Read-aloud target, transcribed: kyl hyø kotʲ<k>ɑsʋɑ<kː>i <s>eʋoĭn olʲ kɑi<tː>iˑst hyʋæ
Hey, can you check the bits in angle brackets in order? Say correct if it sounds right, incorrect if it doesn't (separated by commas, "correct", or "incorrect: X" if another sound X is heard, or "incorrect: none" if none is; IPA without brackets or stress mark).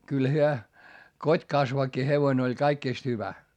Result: correct, correct, incorrect: h, incorrect: kː